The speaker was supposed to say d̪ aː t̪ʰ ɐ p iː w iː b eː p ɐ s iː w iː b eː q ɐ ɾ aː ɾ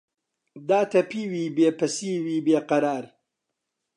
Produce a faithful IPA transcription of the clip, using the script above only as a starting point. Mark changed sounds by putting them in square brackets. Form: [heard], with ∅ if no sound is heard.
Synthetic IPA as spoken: d̪ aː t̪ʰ ɐ p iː w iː b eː p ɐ s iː w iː b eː q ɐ ɾ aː ɾ